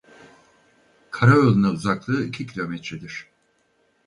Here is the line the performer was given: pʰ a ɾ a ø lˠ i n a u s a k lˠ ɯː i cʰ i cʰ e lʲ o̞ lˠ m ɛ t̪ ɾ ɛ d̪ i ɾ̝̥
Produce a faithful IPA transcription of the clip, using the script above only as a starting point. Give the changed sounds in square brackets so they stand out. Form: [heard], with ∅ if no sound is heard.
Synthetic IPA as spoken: [kʰ] a ɾ a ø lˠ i n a u [z] a k lˠ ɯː i cʰ i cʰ [i] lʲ o̞ [∅] m ɛ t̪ ɾ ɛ d̪ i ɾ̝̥